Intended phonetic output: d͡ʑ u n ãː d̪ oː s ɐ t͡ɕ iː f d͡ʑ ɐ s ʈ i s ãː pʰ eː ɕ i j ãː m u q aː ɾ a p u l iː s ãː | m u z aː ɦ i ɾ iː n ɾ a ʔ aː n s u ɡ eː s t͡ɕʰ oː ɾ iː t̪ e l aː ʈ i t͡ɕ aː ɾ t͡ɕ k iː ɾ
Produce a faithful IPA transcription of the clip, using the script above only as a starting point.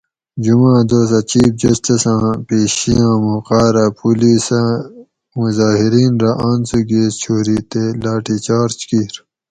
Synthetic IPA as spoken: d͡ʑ u m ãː d̪ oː s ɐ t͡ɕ iː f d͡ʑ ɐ s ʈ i s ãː p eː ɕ i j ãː m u q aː ɾ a p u l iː s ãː | m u z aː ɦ i ɾ iː n ɾ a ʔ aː n s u ɡ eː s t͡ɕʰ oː ɾ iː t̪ e l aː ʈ i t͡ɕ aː ɾ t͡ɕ k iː ɾ